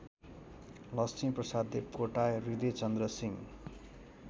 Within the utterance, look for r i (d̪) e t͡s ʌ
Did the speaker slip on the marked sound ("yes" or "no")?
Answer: no